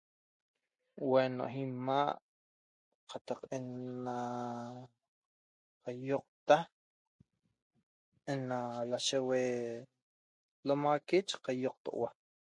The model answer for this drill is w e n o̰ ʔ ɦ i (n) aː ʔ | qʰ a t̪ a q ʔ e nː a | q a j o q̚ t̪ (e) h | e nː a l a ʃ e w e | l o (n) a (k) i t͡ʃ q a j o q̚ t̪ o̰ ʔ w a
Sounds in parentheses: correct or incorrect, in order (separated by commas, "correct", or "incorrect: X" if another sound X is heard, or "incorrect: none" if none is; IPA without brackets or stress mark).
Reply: incorrect: m, incorrect: a, incorrect: m, correct